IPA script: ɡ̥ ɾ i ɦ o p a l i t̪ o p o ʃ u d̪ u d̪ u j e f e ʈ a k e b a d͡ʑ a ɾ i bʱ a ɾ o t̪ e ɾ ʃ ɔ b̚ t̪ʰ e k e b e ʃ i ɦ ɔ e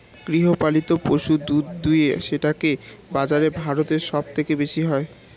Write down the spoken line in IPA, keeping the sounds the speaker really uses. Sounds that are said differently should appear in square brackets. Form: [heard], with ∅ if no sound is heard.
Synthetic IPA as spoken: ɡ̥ ɾ i ɦ o p a l i t̪ o p o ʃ u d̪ u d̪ u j e [ʃ] e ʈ a k e b a d͡ʑ a ɾ [e] bʱ a ɾ o t̪ e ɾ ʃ ɔ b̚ t̪ʰ e k e b e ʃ i ɦ ɔ e